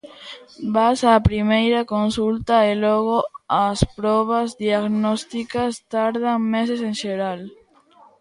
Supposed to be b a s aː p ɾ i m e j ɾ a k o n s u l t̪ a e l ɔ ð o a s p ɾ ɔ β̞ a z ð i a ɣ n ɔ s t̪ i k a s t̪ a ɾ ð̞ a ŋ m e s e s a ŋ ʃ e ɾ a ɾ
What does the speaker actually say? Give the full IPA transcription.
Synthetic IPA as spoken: b a s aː p ɾ i m e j ɾ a k o n s u l t̪ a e l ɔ ɣ o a s p ɾ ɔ β̞ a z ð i a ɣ n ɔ s t̪ i k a s t̪ a ɾ ð̞ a ŋ m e s e s e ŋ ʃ e ɾ a l